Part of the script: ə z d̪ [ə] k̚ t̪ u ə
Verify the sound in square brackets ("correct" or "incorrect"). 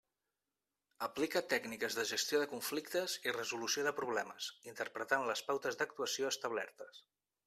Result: correct